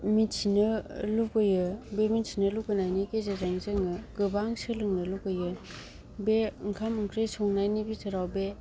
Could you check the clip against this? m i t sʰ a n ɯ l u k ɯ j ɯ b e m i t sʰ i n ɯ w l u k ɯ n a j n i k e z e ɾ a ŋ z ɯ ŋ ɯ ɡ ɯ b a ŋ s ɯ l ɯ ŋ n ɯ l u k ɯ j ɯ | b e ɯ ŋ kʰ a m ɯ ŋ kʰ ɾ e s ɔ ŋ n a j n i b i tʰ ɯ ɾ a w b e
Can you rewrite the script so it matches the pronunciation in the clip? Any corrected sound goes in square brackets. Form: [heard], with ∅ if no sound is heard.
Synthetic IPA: m i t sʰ [i] n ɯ l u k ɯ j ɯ b e m i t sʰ i n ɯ [∅] l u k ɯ n a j n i k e z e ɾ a ŋ z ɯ ŋ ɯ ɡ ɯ b a ŋ s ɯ l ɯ ŋ n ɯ l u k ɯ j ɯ | b e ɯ ŋ kʰ a m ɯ ŋ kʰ ɾ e s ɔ ŋ n a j n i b i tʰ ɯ ɾ a w b e